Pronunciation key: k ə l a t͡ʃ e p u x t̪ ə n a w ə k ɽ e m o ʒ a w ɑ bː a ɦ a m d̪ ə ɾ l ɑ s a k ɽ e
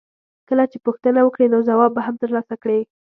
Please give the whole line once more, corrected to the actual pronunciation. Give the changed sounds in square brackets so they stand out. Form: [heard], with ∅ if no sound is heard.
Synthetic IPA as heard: k ə l a t͡ʃ e p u x t̪ ə n a w ə k ɽ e [n] o [z] a w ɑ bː a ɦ a m [t̪] ə ɾ l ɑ s a k ɽ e